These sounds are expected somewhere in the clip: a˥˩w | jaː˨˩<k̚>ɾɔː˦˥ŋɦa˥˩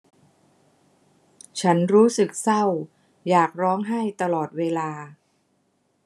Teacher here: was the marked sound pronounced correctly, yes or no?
yes